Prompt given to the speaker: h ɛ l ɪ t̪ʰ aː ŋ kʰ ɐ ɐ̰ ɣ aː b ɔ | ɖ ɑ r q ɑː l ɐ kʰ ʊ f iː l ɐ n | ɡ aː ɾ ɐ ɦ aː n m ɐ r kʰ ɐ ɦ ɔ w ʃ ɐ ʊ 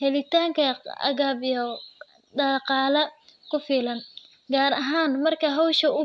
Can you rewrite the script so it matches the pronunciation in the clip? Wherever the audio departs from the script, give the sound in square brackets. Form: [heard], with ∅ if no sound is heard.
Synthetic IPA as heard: h ɛ l ɪ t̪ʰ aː ŋ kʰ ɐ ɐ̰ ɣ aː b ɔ | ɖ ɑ [∅] q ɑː l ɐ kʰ ʊ f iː l ɐ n | ɡ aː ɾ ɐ ɦ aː n m ɐ r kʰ ɐ ɦ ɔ w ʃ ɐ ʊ

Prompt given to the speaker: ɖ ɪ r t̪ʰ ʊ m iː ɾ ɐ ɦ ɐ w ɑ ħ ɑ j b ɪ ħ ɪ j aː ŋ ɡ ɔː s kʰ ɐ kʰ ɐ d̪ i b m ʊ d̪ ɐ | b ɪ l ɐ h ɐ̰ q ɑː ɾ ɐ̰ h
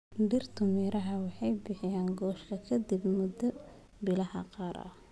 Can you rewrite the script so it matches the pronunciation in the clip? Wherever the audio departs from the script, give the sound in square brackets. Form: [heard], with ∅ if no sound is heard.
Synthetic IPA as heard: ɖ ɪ r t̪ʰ ʊ m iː ɾ ɐ ɦ ɐ w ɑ ħ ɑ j b ɪ ħ ɪ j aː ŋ ɡ ɔː [ʃ] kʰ ɐ kʰ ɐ d̪ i b m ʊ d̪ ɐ | b ɪ l ɐ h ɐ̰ q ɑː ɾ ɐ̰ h

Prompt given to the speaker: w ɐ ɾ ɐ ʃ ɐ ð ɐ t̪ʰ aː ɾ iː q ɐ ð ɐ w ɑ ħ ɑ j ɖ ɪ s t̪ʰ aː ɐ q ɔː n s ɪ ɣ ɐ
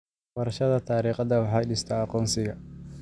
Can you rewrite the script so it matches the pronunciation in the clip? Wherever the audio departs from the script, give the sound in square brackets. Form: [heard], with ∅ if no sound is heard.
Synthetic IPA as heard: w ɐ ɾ ɐ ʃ ɐ ð ɐ t̪ʰ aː ɾ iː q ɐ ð ɐ w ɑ ħ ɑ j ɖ ɪ s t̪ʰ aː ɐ q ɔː n s ɪ ɣ ɐ

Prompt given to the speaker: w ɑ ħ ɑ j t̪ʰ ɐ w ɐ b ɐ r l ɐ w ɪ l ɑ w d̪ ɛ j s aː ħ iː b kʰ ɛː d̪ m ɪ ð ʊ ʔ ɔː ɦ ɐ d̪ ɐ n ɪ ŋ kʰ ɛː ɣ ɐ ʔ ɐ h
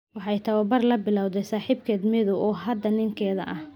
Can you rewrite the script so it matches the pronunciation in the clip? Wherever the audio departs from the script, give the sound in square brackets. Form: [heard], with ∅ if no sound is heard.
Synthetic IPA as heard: w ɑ ħ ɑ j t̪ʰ ɐ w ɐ b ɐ r l ɐ [b] ɪ l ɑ w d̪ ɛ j s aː ħ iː b kʰ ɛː d̪ m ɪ ð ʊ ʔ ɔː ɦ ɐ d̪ ɐ n ɪ ŋ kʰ ɛː [ð] ɐ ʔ ɐ h

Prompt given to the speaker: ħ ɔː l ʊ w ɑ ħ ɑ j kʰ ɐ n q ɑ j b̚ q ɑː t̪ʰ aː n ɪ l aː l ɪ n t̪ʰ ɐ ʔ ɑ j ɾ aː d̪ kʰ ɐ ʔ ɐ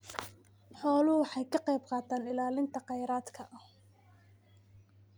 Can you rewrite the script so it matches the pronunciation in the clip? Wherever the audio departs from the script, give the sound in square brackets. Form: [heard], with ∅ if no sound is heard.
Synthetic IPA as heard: ħ ɔː l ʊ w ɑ ħ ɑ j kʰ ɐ [∅] q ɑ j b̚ q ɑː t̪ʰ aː n ɪ l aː l ɪ n t̪ʰ ɐ [q] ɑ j ɾ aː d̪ kʰ ɐ ʔ ɐ

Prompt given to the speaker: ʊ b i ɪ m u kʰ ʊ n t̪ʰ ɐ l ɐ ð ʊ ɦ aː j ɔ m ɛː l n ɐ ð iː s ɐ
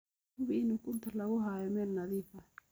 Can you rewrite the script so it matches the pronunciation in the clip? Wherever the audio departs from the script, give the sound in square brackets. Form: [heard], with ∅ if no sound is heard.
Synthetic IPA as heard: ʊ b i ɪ [n] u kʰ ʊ n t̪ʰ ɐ l ɐ [ɣ] ʊ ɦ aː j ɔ m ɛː l n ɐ ð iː [f] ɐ

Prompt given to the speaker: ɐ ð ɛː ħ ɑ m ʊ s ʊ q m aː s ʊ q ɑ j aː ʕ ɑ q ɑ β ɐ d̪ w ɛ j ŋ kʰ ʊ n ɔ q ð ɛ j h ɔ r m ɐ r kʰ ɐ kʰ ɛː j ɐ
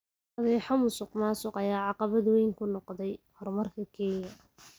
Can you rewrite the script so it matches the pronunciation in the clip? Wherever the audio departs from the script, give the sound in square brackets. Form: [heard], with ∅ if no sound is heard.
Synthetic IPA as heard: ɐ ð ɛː ħ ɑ m ʊ s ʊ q m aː s ʊ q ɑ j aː ʕ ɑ q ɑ β ɐ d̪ w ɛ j ŋ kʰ ʊ n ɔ q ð ɛ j h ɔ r m ɐ r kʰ ɐ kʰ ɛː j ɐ

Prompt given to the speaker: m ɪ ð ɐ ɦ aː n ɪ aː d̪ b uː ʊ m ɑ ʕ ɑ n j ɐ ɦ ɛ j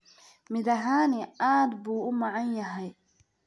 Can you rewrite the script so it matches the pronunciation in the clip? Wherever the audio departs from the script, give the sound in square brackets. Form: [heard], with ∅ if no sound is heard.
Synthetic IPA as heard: m ɪ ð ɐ ɦ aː n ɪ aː d̪ b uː ʊ m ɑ ʕ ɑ n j ɐ ɦ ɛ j

